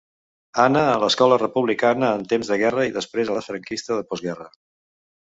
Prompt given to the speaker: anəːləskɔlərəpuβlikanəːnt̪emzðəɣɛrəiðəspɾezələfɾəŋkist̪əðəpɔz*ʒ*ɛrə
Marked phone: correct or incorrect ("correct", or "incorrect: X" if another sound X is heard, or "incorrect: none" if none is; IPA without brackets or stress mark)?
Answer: incorrect: ɣ